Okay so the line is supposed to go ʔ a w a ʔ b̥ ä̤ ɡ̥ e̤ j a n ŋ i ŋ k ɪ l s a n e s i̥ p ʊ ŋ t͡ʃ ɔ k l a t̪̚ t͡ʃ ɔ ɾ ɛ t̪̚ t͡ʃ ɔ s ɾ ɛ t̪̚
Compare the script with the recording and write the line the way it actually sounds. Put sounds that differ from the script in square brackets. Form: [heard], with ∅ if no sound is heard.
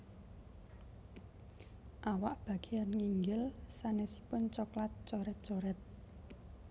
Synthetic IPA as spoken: ʔ a w a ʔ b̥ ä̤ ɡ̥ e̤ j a n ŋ i ŋ [ɡ] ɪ l s a n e s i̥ p ʊ [n] t͡ʃ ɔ k l a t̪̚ t͡ʃ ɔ ɾ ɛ t̪̚ t͡ʃ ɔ [∅] ɾ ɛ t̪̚